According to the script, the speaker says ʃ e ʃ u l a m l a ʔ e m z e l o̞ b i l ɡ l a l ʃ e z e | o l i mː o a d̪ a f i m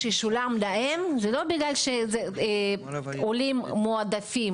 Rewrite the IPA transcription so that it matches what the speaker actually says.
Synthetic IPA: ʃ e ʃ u l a m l a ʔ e m z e l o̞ b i ɡ l a l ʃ e z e | o l i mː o a d̪ a f i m